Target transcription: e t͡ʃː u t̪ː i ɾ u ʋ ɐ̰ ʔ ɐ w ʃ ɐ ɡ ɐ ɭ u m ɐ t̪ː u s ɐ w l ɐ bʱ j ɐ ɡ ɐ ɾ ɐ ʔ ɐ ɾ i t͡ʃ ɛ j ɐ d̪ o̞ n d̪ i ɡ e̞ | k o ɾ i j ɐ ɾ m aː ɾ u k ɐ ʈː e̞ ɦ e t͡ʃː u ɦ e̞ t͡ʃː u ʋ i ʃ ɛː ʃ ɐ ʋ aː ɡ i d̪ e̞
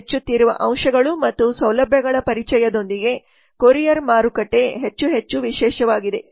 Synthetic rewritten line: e t͡ʃː u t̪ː i ɾ u ʋ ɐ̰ ʔ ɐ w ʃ ɐ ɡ ɐ ɭ u m ɐ t̪ː u s ɐ w l ɐ bʱ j ɐ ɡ ɐ ɭ ɐ p ɐ ɾ i t͡ʃ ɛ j ɐ d̪ o̞ n d̪ i ɡ e̞ | k o ɾ i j ɐ ɾ m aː ɾ u k ɐ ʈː e̞ ɦ e t͡ʃː u ɦ e̞ t͡ʃː u ʋ i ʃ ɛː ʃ ɐ ʋ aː ɡ i d̪ e̞